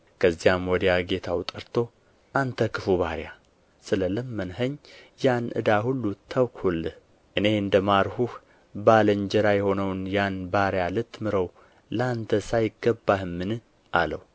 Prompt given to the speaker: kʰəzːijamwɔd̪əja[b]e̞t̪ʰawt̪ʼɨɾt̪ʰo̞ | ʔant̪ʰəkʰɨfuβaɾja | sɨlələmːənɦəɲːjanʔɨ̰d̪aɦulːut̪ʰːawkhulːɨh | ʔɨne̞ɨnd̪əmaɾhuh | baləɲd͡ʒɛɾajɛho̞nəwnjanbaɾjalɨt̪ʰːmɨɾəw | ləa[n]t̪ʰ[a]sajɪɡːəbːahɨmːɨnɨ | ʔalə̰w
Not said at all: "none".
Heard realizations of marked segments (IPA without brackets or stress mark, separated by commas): ɡ, n, ə